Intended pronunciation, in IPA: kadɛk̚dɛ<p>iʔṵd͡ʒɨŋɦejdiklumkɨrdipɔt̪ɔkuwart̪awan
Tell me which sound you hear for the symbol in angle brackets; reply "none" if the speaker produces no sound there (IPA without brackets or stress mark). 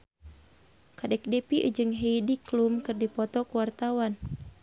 p